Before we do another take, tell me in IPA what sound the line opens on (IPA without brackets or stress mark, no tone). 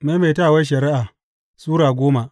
m